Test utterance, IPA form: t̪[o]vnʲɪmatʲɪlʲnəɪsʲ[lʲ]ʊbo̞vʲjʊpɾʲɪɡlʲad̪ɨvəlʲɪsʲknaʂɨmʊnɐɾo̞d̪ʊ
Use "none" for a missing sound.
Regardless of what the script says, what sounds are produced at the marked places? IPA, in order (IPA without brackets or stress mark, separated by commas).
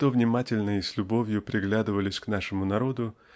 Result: o, lʲ